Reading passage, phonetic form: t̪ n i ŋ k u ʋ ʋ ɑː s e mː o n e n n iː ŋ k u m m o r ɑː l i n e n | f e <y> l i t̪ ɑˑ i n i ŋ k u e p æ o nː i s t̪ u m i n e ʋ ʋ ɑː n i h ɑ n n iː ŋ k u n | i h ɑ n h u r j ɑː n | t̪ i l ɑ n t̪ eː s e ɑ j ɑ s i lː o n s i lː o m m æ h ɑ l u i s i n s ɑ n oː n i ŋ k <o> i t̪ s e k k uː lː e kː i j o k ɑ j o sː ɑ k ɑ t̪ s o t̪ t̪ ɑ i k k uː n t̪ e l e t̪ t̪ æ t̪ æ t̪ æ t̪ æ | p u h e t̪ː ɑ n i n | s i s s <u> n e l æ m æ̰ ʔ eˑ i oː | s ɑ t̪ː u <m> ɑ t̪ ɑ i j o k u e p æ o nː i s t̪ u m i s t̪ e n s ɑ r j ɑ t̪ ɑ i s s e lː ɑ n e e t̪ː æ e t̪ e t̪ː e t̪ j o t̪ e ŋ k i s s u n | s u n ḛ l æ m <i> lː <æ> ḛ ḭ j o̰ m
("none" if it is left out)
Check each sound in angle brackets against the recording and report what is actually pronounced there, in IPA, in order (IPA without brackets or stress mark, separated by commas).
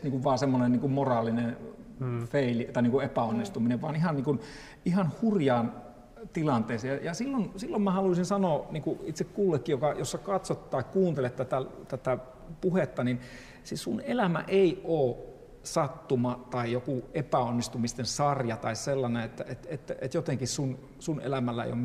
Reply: i, u, u, m, æ, æ